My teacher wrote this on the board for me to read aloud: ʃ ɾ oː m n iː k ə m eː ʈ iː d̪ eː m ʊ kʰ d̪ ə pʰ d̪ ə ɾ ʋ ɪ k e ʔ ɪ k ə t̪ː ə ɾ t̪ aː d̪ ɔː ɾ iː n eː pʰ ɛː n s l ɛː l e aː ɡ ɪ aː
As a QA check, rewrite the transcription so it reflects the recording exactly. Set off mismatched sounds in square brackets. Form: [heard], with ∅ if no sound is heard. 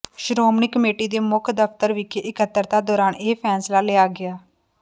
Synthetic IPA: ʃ ɾ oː m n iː k ə m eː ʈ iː d̪ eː m ʊ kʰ d̪ ə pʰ [t̪] ə ɾ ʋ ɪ k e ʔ ɪ k ə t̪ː ə ɾ t̪ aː d̪ ɔː ɾ [aː] n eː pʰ ɛː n s l [aː] l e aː ɡ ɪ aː